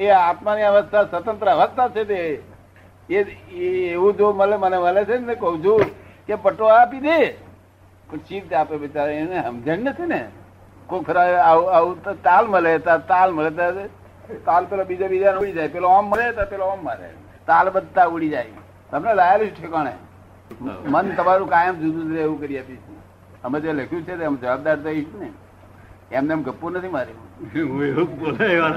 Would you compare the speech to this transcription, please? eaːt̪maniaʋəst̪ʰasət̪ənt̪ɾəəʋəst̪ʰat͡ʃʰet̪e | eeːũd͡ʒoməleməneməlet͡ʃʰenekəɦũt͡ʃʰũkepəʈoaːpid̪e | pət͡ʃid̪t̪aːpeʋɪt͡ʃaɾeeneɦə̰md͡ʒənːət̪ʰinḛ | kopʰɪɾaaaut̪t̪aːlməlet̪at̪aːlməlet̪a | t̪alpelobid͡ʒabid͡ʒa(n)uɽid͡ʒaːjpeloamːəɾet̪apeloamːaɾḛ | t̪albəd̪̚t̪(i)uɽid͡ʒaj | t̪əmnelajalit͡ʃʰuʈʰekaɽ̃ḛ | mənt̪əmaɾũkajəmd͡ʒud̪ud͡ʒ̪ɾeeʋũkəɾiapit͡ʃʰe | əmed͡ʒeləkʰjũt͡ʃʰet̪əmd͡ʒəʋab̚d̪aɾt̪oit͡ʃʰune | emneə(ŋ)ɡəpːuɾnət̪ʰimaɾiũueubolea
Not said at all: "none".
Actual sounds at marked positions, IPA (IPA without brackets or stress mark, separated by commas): n, a, m